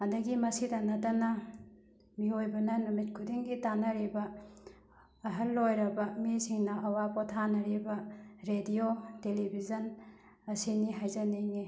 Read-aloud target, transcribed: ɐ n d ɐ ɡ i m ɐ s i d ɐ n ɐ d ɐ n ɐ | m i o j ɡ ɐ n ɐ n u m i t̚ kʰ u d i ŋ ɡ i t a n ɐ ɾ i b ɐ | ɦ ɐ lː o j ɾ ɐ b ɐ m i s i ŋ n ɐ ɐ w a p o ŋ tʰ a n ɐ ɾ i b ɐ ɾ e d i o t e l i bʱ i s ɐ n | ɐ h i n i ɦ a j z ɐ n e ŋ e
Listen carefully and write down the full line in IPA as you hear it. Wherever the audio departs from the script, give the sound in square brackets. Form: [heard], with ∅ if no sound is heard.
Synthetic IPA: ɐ n d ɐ ɡ i m ɐ s i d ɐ n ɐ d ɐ n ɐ | m i o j [b] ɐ n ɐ n u m i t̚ kʰ u d i ŋ ɡ i t a n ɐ ɾ i b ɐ | ɦ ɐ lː o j ɾ ɐ b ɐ m i s i ŋ n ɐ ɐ w a p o [∅] tʰ a n ɐ ɾ i b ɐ ɾ e d i o t e l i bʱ i [z] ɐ n | ɐ [s] i n i ɦ a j z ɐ n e ŋ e